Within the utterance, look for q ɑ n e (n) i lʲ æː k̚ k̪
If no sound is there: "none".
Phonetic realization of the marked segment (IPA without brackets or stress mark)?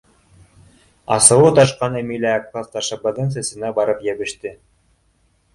m